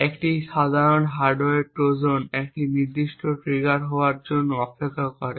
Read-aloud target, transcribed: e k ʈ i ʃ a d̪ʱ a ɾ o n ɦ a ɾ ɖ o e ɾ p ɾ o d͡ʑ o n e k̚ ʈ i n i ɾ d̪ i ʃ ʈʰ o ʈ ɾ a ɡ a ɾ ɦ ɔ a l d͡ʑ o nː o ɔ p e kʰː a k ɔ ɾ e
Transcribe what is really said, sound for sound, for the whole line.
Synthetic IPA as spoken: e k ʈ i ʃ a d̪ʱ a ɾ o n ɦ a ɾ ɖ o e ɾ p ɾ o d͡ʑ o n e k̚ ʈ i n i ɾ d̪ i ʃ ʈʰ o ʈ ɾ i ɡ a ɾ ɦ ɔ a ɾ d͡ʑ o nː o ɔ p e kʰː a k ɔ ɾ e